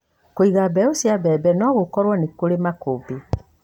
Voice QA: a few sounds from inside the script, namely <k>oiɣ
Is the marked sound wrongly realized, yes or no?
no